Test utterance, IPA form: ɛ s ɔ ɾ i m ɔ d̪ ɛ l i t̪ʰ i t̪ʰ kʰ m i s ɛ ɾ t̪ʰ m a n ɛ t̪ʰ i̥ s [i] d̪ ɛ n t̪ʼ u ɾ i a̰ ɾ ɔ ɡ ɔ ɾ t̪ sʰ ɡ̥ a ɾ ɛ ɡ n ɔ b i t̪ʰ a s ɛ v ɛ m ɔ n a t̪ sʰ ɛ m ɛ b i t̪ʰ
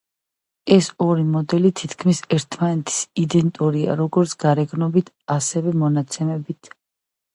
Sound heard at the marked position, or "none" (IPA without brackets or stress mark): i